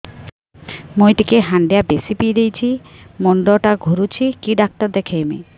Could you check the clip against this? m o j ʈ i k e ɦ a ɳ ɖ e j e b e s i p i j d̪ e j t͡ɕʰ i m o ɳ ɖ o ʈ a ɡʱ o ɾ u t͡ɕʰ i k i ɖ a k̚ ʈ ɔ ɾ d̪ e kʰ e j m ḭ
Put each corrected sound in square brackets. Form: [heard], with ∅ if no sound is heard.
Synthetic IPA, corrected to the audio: m o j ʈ i k e ɦ a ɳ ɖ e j [a] b e s i p i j d̪ e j t͡ɕʰ i m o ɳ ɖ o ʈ a ɡʱ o ɾ u t͡ɕʰ i k i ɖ a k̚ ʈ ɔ ɾ d̪ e kʰ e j m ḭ